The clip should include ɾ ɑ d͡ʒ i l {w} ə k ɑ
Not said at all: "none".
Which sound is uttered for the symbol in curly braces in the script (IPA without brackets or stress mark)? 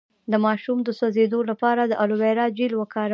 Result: w